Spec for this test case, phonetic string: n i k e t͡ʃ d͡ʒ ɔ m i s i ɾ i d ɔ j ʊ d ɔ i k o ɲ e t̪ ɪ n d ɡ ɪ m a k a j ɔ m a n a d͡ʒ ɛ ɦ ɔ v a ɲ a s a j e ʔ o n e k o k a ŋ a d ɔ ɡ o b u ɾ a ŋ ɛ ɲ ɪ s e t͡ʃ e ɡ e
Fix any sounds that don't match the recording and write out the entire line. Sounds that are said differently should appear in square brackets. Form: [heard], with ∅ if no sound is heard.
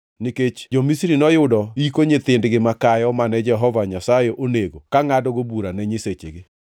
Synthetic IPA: n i k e t͡ʃ d͡ʒ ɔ m i s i ɾ i [n] ɔ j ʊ d ɔ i k o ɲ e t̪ ɪ n d ɡ ɪ m a k a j ɔ m a n [ɛ] d͡ʒ ɛ ɦ ɔ v a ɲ a s a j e ʔ o n e [ɡ] o k a ŋ a d ɔ ɡ o b u ɾ a [n] ɛ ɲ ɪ s e t͡ʃ e ɡ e